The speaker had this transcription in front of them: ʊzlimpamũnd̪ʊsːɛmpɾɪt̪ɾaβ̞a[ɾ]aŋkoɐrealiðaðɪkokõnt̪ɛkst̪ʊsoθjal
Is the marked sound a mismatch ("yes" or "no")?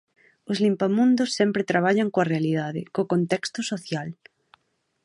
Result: yes